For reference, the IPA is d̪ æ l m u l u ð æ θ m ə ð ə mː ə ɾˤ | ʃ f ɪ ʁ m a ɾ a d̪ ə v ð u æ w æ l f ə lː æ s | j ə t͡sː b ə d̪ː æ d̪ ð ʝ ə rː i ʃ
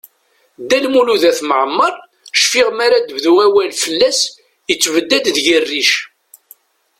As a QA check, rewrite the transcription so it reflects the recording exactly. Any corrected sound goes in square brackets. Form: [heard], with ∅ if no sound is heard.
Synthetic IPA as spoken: d̪ æ l m u l u ð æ θ m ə [ʕ] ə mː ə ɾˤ | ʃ f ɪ ʁ m a ɾ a d̪ ə v ð u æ w æ l f ə lː æ s | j ə t͡sː [v] ə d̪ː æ d̪ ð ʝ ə rː i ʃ